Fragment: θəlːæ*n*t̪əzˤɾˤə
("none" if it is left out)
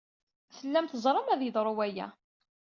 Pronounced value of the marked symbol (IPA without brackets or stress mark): m